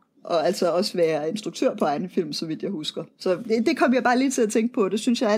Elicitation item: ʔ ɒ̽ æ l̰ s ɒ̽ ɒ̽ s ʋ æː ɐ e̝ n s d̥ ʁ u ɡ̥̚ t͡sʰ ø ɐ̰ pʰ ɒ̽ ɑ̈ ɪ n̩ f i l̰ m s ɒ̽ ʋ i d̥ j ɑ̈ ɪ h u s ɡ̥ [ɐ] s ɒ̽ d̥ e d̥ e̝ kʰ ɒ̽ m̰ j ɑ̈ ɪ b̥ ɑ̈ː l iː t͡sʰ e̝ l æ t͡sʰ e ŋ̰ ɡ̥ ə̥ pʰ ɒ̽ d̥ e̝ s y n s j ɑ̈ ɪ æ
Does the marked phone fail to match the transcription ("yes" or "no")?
no